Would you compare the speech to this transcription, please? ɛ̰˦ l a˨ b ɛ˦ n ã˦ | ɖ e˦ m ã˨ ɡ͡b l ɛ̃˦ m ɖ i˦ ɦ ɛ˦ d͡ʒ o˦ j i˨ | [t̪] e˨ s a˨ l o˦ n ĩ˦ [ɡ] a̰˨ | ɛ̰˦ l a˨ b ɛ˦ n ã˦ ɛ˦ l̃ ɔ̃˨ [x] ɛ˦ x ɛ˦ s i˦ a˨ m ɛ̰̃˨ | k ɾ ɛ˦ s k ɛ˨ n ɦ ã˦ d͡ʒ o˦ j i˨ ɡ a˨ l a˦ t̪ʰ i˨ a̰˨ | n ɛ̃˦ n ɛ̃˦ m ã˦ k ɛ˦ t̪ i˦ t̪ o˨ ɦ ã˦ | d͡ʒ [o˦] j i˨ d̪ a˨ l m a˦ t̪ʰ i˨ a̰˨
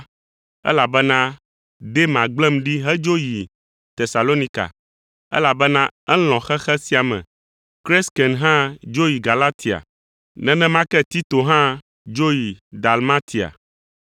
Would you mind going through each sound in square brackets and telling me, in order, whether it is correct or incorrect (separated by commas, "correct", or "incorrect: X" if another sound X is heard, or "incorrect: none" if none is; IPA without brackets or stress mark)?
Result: correct, incorrect: k, correct, correct